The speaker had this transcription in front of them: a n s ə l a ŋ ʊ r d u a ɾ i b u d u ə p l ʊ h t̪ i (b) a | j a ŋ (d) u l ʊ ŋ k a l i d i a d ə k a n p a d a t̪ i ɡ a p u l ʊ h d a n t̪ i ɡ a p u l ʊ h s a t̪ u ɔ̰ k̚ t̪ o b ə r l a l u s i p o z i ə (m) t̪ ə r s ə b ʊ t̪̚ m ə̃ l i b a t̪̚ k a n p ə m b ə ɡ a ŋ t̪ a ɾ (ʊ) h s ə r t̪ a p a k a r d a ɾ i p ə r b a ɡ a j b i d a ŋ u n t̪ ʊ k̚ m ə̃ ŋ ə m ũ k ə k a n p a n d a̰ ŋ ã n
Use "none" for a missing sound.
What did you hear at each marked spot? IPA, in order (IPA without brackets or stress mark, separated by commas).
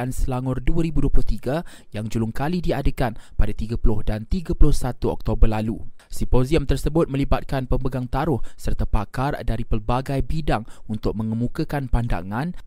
ɡ, d͡ʒ, m, ʊ